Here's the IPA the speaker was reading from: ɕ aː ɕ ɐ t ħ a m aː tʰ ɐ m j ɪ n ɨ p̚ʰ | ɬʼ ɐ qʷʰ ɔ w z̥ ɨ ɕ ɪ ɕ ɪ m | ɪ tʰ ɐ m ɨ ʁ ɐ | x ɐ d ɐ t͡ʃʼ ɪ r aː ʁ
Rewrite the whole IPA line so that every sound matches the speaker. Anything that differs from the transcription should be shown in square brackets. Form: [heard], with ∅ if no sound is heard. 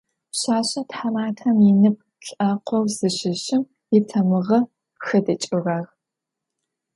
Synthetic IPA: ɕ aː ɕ ɐ t ħ a m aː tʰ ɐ m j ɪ n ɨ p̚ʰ | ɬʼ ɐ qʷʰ ɔ w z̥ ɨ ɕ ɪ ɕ ɪ m | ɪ tʰ ɐ m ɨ ʁ ɐ | x ɐ d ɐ t͡ʃʼ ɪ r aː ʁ